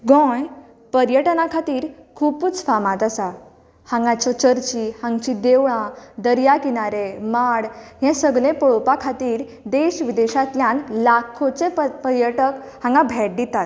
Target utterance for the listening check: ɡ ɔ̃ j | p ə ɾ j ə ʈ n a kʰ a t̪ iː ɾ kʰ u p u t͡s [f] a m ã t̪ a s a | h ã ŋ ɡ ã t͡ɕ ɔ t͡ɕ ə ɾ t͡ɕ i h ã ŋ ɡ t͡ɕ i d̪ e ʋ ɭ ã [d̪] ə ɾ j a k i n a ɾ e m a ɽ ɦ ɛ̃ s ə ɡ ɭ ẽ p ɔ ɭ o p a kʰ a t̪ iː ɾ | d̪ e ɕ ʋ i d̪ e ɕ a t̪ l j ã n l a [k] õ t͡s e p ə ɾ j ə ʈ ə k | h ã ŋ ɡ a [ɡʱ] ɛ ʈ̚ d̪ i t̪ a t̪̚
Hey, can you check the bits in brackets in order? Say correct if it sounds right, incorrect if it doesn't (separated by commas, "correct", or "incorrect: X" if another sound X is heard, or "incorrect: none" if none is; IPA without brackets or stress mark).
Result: correct, correct, incorrect: kʰ, incorrect: bʱ